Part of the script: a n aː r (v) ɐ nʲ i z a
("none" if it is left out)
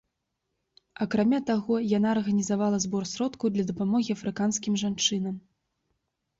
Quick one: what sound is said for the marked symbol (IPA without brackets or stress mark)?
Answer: ɣ